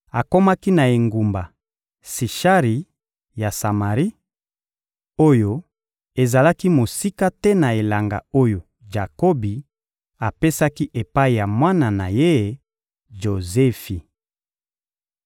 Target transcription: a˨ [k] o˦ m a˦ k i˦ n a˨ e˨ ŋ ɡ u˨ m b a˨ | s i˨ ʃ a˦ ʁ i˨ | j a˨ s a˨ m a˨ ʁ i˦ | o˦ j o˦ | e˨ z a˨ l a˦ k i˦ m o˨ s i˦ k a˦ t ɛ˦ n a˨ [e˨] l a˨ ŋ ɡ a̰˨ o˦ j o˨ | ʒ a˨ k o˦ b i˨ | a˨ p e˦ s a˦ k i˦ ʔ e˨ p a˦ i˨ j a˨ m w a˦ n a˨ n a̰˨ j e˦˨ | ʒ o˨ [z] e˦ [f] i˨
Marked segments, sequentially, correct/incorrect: correct, correct, correct, correct

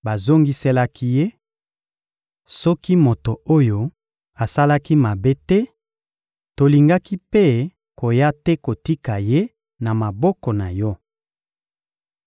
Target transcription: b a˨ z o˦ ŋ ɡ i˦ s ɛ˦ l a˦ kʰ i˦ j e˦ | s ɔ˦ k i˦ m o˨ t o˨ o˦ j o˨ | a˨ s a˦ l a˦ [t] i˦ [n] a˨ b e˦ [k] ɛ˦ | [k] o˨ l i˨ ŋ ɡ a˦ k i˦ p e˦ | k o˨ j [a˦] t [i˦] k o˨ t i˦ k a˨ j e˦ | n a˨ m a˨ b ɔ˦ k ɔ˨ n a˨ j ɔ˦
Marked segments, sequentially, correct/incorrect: incorrect: k, incorrect: m, incorrect: t, incorrect: t, correct, incorrect: ɛ˦

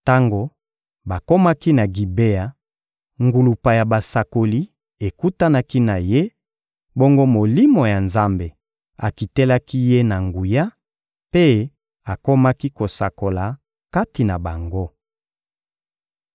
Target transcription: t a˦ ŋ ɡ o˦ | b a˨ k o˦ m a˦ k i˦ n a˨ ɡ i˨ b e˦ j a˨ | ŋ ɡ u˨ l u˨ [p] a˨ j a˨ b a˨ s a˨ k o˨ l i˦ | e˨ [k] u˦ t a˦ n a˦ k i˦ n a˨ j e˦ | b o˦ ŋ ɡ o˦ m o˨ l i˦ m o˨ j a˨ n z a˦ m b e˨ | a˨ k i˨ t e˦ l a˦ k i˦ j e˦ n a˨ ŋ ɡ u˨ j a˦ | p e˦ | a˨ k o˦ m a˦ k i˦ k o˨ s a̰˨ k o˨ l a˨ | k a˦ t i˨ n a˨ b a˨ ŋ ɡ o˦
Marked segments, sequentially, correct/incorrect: correct, correct

